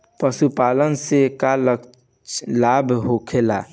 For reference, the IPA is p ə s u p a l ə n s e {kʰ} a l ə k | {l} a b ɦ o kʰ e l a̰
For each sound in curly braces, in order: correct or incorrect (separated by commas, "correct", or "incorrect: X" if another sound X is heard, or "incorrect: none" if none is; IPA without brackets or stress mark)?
incorrect: k, correct